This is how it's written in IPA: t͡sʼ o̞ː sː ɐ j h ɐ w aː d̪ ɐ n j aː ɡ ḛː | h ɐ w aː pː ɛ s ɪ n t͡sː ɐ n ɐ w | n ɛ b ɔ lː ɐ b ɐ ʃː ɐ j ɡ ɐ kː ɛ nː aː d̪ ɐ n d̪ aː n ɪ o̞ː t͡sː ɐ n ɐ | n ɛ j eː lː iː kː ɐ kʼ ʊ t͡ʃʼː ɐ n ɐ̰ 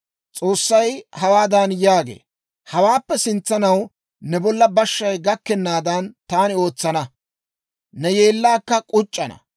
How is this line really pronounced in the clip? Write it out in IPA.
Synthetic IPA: t͡sʼ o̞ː sː ɐ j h ɐ w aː d̪ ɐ n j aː ɡ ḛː | h ɐ w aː pː ɛ s ɪ n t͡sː ɐ n ɐ w | n ɛ b ɔ lː ɐ b ɐ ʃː ɐ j ɡ ɐ kː ɛ nː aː d̪ ɐ n t̪ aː n ɪ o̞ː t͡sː ɐ n ɐ | n ɛ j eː lː aː kː ɐ kʼ ʊ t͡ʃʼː ɐ n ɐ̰